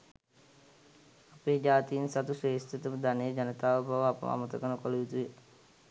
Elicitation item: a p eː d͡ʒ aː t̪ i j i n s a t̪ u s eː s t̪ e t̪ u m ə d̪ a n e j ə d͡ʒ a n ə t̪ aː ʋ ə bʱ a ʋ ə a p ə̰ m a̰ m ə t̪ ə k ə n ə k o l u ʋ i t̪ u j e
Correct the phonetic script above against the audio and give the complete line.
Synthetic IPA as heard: a p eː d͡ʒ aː t̪ i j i n s a t̪ u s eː s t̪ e t̪ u m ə d̪ a n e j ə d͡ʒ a n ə t̪ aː ʋ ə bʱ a ʋ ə a p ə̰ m a̰ m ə t̪ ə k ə n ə k o l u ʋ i t̪ u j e

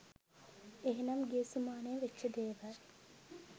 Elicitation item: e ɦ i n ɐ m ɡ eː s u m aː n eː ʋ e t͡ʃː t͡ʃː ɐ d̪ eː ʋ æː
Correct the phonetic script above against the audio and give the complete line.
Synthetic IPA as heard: e ɦ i n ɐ m ɡ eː s u m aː n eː ʋ e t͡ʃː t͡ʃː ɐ d̪ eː ʋ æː

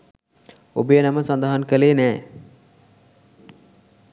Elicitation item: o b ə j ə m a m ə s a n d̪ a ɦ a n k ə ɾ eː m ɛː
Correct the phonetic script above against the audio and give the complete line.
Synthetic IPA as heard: o b ə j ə n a m ə s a n d̪ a ɦ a n k ə l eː n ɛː

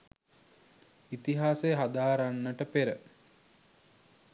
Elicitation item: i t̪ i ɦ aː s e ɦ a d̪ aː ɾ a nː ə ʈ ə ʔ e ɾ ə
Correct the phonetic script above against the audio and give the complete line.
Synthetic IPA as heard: i t̪ i ɦ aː s e ɦ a d̪ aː ɾ a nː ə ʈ ə p e ɾ ə

